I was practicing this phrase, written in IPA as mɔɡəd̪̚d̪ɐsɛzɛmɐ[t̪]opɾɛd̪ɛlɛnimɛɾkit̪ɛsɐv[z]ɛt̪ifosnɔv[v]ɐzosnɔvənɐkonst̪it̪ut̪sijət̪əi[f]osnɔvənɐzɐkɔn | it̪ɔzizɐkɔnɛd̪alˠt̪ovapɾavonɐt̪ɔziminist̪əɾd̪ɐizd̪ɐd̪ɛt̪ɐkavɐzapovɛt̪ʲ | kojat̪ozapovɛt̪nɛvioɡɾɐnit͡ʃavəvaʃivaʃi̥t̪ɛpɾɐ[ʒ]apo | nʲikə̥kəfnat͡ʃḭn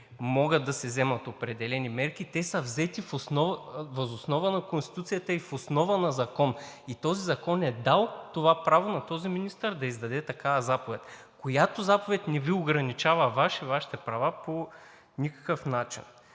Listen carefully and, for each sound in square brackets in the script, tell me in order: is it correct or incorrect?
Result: correct, correct, correct, correct, incorrect: v

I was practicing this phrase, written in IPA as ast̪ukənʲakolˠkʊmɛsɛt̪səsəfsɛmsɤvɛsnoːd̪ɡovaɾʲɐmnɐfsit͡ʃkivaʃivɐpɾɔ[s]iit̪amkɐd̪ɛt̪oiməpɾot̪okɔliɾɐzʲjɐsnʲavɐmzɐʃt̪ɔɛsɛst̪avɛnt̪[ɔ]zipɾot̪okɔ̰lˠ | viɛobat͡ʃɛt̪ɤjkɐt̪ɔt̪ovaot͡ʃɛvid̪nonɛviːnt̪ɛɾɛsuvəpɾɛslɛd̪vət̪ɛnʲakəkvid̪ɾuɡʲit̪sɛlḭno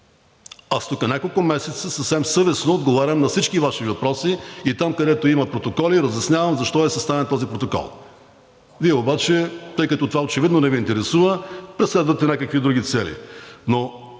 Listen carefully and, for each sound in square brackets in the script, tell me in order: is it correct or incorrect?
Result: correct, correct

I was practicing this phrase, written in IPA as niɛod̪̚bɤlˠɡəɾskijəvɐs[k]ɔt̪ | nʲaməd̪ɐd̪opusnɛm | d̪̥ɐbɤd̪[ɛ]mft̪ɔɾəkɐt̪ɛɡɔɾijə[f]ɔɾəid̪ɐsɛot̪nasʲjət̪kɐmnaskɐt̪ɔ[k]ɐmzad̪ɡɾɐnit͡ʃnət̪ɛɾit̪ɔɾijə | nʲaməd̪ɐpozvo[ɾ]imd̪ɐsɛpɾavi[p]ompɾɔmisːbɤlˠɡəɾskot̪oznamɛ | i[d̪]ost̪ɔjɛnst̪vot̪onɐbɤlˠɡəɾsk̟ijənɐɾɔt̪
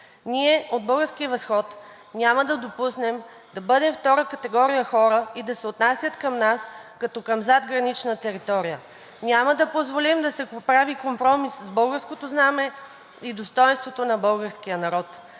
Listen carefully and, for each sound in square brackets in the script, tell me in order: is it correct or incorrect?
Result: incorrect: x, correct, incorrect: x, correct, incorrect: l, incorrect: k, correct

